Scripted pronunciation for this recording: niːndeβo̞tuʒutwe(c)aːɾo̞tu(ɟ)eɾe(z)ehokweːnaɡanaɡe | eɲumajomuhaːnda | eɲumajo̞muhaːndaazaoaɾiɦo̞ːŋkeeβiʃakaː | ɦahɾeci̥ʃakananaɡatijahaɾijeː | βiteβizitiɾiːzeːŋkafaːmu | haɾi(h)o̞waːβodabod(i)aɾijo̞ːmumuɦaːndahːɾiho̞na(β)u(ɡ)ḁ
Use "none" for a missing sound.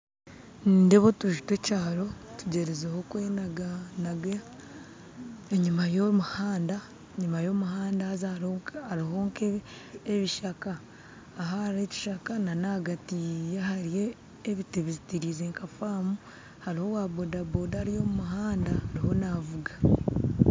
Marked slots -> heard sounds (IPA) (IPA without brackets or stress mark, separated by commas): c, ɟ, z, h, a, v, ɡ